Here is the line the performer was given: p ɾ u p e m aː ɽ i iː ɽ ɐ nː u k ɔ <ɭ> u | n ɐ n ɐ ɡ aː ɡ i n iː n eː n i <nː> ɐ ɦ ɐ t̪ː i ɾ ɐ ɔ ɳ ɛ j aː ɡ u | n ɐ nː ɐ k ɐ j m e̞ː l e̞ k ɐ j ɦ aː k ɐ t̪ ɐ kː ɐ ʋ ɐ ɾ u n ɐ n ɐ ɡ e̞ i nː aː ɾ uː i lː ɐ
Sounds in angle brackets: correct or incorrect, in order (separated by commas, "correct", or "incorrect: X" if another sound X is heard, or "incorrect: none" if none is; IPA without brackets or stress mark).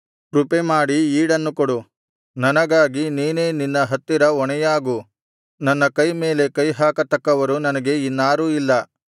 incorrect: ɽ, correct